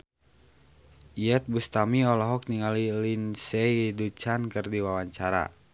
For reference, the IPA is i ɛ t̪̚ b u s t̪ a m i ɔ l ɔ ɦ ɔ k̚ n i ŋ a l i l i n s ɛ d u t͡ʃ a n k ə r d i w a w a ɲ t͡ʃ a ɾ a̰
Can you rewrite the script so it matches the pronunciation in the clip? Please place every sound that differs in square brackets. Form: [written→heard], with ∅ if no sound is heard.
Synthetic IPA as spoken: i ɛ t̪̚ b u s t̪ a m i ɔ l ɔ ɦ ɔ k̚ n i ŋ a l i l i n s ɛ d u t͡ʃ a n k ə r d i w a w a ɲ t͡ʃ a ɾ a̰

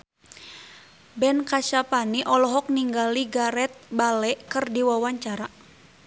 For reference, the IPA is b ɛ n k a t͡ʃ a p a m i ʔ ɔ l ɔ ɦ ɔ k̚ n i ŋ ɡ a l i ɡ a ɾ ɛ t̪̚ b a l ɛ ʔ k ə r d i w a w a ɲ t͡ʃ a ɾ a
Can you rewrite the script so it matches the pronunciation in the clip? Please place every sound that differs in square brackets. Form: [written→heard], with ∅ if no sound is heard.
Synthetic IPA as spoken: b ɛ n k a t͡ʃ a p a [m→n] i ʔ ɔ l ɔ ɦ ɔ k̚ n i ŋ ɡ a l i ɡ a ɾ ɛ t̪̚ b a l ɛ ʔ k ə r d i w a w a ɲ t͡ʃ a ɾ a

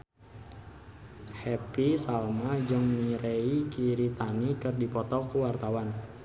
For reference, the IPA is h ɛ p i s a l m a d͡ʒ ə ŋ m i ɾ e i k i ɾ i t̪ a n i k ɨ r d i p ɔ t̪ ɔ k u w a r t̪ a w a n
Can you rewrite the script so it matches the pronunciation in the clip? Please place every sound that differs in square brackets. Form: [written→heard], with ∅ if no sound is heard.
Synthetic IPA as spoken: h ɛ p i s a l m a d͡ʒ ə ŋ m i ɾ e i k i ɾ i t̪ a n i k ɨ r d i p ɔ t̪ ɔ k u w a r t̪ a w a n

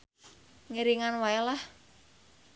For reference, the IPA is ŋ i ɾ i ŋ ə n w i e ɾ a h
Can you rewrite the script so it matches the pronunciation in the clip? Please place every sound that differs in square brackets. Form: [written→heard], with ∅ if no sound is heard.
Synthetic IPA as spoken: ŋ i ɾ i ŋ [ə→a] n w [i→a] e [ɾ→l] a h

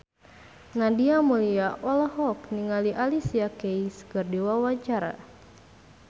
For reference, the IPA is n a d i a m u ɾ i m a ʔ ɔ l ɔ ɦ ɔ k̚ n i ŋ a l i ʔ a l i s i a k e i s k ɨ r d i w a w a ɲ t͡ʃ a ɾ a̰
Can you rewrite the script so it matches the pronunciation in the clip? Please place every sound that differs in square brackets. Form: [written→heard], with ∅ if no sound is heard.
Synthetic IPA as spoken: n a d i a m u [ɾ→l] i [m→∅] a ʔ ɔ l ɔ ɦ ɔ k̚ n i ŋ a l i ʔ a l i s i a k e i s k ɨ r d i w a w a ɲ t͡ʃ a ɾ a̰

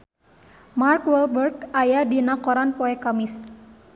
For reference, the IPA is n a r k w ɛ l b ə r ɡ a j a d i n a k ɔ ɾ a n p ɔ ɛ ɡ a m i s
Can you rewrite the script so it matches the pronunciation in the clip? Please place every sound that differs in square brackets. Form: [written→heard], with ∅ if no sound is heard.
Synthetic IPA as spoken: [n→m] a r k w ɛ l b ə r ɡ a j a d i n a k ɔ ɾ a n p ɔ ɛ [ɡ→k] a m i s

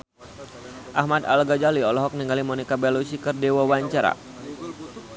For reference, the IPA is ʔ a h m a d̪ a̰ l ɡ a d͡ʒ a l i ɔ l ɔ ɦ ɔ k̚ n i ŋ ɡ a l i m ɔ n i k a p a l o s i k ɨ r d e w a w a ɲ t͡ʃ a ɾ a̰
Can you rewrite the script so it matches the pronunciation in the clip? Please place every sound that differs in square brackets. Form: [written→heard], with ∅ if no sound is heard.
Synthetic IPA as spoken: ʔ a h m a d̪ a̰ l ɡ a d͡ʒ a l i ɔ l ɔ ɦ ɔ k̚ n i ŋ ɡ a l i m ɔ n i k a [p→b] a l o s i k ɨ r d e w a w a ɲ t͡ʃ a ɾ a̰

